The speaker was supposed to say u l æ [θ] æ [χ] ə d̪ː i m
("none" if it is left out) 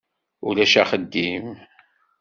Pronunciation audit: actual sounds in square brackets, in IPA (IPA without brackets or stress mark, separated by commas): ʃ, χ